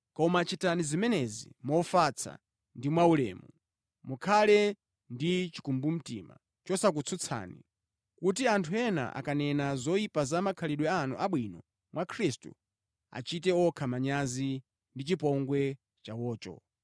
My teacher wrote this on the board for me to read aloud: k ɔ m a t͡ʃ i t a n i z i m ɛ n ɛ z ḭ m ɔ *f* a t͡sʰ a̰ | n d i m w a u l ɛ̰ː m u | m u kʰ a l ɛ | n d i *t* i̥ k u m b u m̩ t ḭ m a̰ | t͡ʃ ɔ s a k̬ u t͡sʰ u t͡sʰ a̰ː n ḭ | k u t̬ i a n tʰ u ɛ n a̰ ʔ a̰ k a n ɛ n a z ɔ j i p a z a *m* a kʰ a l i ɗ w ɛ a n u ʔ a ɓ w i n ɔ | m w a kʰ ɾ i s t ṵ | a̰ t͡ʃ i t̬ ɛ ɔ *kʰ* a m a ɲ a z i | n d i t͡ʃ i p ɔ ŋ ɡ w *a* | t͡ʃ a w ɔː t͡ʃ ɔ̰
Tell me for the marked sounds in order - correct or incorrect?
correct, incorrect: t͡ʃ, correct, correct, incorrect: ɛ

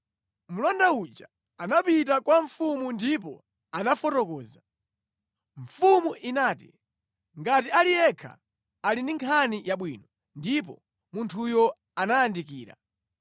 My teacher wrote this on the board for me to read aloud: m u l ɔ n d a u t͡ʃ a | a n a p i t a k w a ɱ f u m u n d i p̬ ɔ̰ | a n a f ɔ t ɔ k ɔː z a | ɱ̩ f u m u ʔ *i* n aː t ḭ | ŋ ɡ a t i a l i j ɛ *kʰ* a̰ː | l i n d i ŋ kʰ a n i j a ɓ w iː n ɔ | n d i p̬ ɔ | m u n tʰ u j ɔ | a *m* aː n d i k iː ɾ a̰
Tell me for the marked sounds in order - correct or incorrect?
correct, correct, incorrect: n

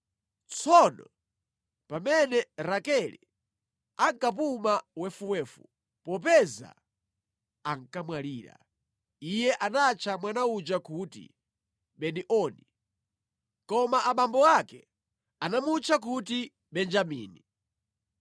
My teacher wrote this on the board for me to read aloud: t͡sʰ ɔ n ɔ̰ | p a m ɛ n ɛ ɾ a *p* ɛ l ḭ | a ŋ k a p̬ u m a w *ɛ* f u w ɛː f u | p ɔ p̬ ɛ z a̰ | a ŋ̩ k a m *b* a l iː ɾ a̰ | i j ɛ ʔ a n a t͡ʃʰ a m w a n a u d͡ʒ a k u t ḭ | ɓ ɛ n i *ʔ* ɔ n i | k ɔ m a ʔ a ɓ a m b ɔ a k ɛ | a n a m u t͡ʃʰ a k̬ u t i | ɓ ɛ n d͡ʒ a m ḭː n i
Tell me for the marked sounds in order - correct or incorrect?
incorrect: k, correct, incorrect: w, correct

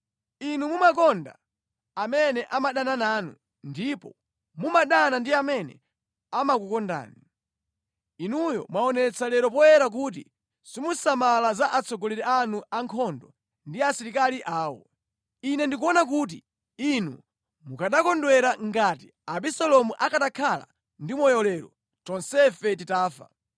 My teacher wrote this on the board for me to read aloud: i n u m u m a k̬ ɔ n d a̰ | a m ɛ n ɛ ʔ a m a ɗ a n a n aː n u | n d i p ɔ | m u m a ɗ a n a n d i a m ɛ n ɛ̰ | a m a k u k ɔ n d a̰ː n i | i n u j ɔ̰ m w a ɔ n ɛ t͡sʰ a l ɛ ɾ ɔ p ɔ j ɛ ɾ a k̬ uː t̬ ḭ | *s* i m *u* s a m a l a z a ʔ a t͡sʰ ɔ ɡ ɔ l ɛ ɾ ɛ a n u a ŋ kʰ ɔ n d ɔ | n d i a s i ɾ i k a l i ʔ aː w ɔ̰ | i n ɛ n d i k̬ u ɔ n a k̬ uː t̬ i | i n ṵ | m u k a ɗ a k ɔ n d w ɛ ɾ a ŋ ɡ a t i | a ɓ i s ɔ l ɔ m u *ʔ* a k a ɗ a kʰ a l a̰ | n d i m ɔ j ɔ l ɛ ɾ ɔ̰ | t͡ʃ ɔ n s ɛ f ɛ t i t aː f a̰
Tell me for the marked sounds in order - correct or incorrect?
correct, correct, correct

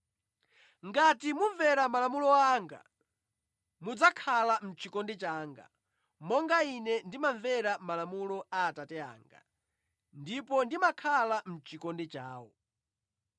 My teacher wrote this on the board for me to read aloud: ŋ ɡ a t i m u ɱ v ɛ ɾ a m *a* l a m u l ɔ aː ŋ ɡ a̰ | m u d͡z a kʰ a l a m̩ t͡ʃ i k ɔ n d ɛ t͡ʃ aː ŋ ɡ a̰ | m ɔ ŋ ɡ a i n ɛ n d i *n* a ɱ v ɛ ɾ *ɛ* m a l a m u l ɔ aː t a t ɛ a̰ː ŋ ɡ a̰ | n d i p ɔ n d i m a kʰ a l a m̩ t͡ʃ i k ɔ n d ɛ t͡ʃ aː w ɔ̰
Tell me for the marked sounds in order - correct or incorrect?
correct, incorrect: m, incorrect: a

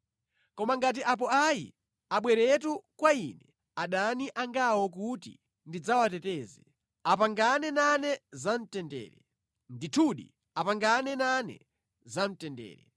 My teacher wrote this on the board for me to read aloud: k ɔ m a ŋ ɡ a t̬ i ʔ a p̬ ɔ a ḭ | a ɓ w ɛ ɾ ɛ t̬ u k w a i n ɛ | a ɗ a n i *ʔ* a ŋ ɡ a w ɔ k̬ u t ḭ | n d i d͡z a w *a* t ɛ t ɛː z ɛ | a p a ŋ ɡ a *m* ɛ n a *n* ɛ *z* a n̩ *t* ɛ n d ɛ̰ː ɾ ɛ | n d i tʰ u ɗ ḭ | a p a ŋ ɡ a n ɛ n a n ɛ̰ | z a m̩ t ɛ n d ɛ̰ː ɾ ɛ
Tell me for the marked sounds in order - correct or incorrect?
correct, correct, incorrect: n, correct, correct, correct

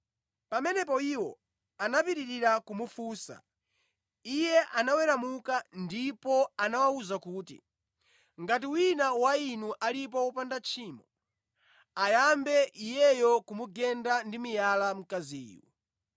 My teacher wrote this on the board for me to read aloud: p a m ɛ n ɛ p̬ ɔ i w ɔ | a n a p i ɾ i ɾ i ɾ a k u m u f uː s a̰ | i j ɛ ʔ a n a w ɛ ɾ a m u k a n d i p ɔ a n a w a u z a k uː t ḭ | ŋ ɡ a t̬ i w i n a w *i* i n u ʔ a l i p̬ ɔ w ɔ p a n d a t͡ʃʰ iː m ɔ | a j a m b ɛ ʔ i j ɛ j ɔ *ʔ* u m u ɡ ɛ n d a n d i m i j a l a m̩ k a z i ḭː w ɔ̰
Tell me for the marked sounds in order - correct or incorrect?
incorrect: a, incorrect: k

